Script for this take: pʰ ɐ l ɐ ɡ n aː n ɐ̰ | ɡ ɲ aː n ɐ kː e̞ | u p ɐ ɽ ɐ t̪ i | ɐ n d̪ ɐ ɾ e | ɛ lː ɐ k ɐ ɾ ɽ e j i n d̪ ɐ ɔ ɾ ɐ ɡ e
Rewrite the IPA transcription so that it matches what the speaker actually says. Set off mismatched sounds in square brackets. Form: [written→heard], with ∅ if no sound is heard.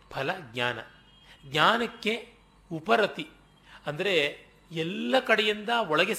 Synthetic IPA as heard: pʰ ɐ l ɐ ɡ [n→ɲ] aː n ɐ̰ | ɡ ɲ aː n ɐ kː e̞ | u p ɐ [ɽ→ɾ] ɐ t̪ i | ɐ n d̪ ɐ ɾ e | ɛ lː ɐ k ɐ [ɾ→∅] ɽ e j i n d̪ ɐ ɔ [ɾ→ɭ] ɐ ɡ e